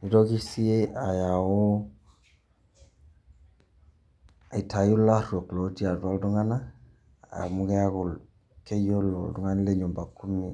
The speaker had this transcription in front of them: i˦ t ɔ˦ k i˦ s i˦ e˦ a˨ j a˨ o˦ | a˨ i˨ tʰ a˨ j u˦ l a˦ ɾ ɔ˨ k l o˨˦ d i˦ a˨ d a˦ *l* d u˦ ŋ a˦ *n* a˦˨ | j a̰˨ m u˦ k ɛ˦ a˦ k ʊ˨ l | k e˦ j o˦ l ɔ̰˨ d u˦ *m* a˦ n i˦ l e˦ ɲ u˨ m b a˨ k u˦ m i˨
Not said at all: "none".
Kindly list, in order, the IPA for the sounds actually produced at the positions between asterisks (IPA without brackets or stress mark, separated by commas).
l, n, ŋ